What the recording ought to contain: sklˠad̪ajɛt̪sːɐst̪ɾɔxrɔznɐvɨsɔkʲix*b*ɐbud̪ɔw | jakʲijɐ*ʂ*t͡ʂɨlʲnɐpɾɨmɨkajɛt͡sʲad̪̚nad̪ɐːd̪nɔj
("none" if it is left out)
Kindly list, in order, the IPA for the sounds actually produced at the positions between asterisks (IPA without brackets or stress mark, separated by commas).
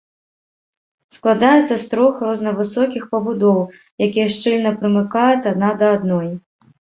p, ʂ